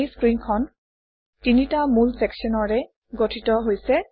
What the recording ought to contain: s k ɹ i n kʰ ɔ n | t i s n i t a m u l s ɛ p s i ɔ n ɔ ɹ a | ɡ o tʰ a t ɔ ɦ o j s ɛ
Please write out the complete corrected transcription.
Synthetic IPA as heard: s k ɹ i n kʰ ɔ n | t i n i t a m u l s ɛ k s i ɔ n ɔ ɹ ɛ | ɡ o tʰ i t ɔ ɦ o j s ɛ